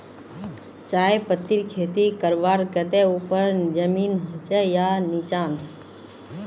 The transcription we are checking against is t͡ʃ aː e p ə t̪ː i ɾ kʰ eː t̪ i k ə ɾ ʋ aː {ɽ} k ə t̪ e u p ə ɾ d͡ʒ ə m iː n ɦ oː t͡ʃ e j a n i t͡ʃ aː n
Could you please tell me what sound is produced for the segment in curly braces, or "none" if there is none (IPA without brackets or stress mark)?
ɾ